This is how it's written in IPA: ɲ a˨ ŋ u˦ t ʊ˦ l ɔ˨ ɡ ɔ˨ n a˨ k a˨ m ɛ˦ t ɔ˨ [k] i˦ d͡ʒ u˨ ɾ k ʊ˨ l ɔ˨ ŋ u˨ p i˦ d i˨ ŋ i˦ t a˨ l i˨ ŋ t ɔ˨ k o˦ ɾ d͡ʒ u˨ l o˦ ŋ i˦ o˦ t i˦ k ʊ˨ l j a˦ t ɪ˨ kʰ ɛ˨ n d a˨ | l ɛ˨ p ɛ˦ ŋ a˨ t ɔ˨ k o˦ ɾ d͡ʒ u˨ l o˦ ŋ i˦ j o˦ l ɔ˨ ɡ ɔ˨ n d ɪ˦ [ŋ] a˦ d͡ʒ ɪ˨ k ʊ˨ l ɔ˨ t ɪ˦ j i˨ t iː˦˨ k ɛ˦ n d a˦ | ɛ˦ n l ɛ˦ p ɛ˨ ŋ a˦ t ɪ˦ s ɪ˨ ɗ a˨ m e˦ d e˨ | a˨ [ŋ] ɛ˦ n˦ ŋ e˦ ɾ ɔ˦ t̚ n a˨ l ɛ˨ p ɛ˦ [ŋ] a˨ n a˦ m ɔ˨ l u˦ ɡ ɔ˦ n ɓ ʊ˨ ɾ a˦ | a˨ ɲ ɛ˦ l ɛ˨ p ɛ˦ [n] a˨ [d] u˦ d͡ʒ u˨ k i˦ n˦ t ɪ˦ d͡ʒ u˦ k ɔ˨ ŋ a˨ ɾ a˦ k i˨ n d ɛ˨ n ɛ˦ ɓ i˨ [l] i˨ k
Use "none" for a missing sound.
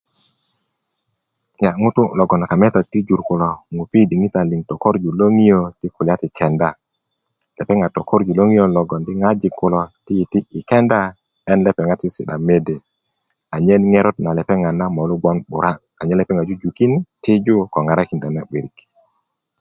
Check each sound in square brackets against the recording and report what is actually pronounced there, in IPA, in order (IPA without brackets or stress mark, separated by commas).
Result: t, ŋ, ɲ, ŋ, ŋ, d͡ʒ, ɾ